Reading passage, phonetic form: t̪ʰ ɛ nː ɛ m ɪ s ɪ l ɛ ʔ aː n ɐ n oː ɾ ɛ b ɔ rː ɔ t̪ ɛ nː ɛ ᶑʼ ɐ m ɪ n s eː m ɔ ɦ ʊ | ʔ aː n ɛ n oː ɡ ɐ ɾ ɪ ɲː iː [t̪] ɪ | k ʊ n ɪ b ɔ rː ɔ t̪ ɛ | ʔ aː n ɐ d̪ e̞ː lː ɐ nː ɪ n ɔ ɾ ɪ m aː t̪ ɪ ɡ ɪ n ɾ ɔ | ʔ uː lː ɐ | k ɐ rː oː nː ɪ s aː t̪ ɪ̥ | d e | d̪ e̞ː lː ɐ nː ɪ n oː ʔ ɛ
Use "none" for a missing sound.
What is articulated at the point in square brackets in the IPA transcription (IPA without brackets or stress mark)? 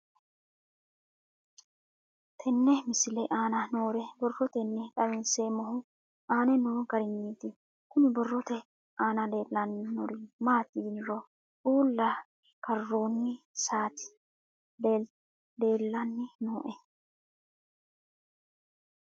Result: t̪